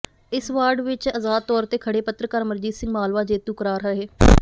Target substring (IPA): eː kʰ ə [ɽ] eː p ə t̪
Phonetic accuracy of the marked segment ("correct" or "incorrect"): correct